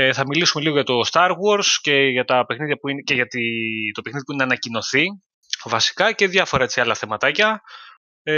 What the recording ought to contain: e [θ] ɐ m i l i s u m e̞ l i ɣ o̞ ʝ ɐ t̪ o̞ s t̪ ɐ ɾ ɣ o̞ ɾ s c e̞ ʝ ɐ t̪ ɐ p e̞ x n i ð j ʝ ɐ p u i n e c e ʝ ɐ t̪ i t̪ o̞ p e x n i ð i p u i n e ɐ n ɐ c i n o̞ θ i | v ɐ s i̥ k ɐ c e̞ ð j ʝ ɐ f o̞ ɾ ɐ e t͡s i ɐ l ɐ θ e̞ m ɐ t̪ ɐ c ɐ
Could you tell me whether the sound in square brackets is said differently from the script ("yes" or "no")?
no